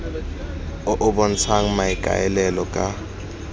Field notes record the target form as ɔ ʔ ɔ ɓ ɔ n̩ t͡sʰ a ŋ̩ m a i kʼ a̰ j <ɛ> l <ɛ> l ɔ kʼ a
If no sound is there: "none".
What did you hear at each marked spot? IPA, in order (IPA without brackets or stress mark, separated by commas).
ɛ, ɛ